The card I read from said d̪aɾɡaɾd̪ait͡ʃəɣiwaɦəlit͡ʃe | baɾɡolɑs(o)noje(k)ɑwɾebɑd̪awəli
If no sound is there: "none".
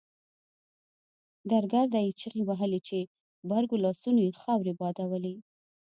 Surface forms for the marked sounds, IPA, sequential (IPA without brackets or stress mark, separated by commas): u, x